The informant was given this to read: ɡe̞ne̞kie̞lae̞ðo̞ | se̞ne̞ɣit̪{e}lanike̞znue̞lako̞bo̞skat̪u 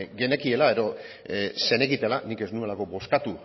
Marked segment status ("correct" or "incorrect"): correct